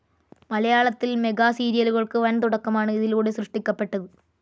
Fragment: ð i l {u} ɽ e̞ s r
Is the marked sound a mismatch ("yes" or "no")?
yes